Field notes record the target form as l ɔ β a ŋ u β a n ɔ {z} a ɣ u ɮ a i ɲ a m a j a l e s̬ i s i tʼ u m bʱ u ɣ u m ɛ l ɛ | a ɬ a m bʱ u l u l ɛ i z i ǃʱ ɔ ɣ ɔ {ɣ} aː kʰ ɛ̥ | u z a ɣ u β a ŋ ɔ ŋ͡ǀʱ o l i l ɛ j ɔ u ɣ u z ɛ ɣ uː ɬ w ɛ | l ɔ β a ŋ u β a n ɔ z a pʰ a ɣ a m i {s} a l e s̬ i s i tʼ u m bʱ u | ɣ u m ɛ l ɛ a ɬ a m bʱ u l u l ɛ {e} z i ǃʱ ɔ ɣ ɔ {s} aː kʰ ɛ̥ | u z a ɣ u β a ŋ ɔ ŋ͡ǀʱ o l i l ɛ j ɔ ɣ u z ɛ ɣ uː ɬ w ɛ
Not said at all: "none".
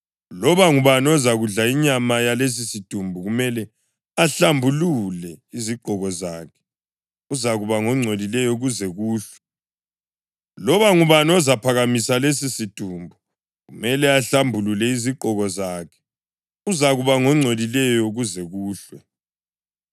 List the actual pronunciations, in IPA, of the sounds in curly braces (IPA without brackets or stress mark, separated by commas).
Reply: z, z, s, i, z